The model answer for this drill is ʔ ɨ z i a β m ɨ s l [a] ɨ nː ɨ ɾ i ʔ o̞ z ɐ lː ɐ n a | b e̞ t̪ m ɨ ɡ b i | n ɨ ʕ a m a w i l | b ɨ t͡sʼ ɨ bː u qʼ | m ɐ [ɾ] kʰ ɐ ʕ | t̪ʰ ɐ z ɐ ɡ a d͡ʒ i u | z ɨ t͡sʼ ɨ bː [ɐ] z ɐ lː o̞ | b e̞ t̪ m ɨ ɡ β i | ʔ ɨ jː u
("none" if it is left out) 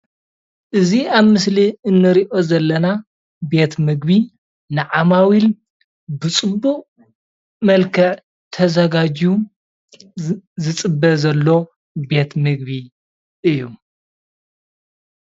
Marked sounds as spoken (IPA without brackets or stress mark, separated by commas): i, l, ɐ